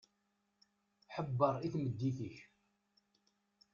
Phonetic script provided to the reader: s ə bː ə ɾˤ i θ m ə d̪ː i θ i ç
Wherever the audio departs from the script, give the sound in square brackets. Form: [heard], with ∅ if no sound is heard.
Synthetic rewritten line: [ħ] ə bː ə ɾˤ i θ m ə d̪ː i θ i ç